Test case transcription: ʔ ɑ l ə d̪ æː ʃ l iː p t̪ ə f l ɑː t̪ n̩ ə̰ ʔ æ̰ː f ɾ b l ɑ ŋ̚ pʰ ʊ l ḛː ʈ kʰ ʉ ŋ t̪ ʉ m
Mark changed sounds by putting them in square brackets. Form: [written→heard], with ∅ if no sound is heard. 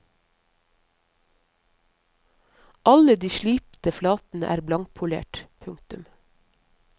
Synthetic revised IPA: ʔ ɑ l ə d̪ [æː→iː] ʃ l iː p t̪ ə f l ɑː t̪ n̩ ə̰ ʔ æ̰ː [f→∅] ɾ b l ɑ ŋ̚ pʰ ʊ l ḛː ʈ [kʰ→pʰ] ʉ ŋ t̪ ʉ m